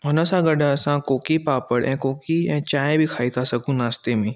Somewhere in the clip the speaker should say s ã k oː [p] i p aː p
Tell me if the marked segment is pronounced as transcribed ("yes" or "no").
no